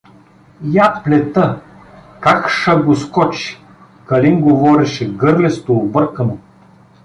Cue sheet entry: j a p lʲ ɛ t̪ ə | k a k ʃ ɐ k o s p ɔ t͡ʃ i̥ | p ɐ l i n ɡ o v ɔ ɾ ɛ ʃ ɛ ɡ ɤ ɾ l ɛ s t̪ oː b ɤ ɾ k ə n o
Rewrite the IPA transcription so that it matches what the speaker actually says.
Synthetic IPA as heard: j a p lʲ ɛ t̪ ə | k a k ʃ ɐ ɡ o s k ɔ t͡ʃ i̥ | k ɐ l i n ɡ o v ɔ ɾ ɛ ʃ ɛ ɡ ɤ ɾ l ɛ s t̪ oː b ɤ ɾ k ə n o